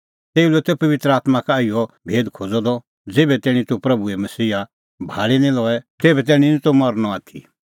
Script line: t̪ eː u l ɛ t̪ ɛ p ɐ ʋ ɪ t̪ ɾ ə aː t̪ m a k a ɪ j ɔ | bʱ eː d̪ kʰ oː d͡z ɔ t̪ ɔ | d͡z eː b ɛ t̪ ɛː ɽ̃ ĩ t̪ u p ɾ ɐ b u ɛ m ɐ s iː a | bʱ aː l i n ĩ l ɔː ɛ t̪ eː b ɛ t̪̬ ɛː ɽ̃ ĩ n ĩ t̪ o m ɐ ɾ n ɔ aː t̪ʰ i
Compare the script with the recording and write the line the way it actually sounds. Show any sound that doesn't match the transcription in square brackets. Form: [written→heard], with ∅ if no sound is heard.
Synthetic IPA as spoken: t̪ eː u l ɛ t̪ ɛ p ɐ ʋ ɪ t̪ ɾ ə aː t̪ m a k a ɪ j ɔ | bʱ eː d̪ kʰ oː d͡z ɔ [t̪→d̪] ɔ | d͡z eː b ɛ t̪ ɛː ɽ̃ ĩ t̪ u p ɾ ɐ b u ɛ m ɐ s iː a | bʱ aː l i n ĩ l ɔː ɛ t̪ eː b ɛ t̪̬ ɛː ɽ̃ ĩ n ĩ t̪ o m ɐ ɾ n ɔ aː t̪ʰ i